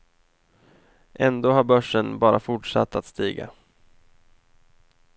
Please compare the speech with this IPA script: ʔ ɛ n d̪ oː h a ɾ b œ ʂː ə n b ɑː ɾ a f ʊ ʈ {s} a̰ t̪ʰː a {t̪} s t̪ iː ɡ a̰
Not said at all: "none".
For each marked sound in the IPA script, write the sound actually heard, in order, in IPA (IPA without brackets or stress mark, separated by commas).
ʂ, t̪